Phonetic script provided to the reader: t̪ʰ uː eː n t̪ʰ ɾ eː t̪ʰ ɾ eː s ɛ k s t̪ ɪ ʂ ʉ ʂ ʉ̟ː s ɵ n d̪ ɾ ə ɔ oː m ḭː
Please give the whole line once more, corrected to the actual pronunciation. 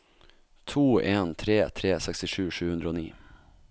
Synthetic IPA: t̪ʰ uː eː n t̪ʰ ɾ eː t̪ʰ ɾ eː s ɛ k s t̪ ɪ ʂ ʉː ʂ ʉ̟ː h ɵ n d̪ ɾ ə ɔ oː n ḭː